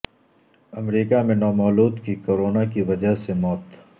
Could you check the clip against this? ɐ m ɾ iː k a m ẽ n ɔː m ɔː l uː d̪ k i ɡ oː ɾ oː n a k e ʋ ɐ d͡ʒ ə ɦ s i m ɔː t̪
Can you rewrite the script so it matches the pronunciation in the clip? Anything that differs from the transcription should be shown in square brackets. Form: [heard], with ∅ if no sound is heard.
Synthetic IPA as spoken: ɐ m ɾ iː k a m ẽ n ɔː m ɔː l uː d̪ k i [k] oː ɾ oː n a k [i] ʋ ɐ d͡ʒ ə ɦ s [e] m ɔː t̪